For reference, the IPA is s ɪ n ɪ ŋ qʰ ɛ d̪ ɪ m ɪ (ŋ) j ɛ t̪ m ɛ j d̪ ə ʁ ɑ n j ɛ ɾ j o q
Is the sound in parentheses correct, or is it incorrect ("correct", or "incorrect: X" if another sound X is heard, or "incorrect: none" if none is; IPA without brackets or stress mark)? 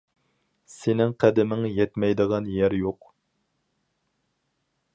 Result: correct